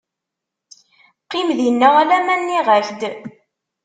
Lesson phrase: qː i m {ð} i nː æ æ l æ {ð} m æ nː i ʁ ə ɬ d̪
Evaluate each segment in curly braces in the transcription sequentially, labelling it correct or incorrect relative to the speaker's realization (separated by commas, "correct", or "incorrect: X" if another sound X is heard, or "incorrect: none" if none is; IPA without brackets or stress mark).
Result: correct, incorrect: none